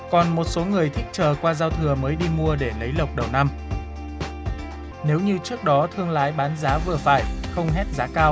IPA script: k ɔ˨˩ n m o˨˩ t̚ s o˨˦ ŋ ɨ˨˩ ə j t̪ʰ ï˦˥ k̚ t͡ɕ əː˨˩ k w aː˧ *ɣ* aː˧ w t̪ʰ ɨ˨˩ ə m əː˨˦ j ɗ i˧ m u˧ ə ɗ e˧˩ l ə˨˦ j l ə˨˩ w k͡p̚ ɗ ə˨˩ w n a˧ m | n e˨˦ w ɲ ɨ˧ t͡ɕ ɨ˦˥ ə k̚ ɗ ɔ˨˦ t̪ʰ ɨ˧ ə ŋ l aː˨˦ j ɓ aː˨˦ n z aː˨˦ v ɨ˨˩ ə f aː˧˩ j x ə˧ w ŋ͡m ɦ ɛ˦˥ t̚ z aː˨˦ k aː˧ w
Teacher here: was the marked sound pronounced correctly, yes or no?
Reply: no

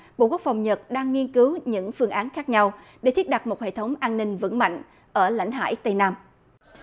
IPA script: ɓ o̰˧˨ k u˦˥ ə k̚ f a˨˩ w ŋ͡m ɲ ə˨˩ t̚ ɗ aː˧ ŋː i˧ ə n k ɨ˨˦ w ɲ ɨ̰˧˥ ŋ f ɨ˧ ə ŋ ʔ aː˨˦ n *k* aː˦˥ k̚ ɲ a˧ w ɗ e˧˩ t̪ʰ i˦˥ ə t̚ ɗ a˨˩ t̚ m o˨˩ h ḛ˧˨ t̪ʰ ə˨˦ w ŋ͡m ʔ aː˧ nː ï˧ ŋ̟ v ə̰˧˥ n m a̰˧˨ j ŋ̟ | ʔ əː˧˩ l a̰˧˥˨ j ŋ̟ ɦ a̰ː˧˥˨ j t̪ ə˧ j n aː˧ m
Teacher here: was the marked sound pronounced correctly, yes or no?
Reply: no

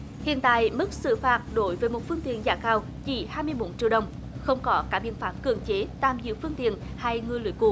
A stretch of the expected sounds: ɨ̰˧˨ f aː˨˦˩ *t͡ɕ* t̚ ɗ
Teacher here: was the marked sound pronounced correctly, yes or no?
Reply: no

